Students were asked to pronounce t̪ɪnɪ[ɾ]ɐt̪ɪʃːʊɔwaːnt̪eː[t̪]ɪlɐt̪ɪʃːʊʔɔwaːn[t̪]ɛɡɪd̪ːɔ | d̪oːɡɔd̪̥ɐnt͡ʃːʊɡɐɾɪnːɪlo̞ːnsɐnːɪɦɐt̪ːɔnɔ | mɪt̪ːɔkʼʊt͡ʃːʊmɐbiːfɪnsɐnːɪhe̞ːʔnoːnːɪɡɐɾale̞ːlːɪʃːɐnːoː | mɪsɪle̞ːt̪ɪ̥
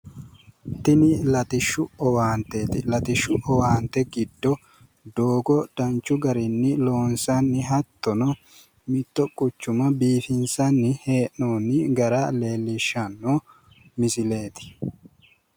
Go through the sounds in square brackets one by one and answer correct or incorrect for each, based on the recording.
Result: incorrect: l, correct, correct

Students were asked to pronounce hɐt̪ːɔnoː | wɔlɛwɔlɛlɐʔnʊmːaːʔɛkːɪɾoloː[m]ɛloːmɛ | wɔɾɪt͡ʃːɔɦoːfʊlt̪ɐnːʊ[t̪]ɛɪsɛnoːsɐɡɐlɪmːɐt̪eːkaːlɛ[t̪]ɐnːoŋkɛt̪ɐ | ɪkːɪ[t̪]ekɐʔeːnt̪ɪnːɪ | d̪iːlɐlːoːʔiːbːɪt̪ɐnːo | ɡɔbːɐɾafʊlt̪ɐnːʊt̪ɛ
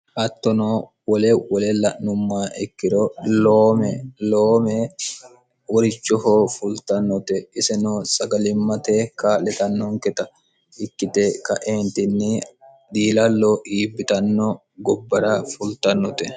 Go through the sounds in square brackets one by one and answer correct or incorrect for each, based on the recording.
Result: correct, correct, correct, correct

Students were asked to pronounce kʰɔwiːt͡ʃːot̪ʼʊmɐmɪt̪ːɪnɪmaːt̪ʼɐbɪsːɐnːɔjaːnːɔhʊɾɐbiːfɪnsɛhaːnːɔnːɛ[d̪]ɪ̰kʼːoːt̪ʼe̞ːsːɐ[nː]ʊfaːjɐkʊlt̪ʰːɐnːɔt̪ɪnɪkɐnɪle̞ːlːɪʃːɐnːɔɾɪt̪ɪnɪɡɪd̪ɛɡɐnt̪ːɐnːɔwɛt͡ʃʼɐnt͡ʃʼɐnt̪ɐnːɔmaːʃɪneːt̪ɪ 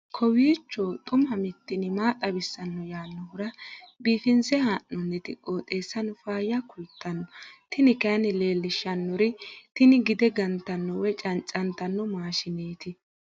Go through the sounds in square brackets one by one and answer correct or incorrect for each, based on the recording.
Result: incorrect: t̪, incorrect: n

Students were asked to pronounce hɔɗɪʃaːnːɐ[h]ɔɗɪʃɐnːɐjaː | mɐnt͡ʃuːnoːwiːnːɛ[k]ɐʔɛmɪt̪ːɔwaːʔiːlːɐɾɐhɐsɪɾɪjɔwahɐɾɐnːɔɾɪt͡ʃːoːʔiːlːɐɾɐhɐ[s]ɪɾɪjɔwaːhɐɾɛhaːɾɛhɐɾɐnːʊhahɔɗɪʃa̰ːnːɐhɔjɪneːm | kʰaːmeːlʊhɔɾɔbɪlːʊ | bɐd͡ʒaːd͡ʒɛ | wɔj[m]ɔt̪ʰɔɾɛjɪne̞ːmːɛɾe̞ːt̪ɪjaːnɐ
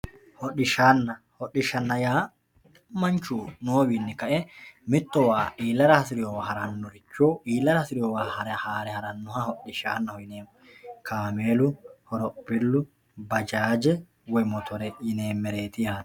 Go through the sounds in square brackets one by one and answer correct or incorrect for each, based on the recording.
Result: correct, correct, correct, correct

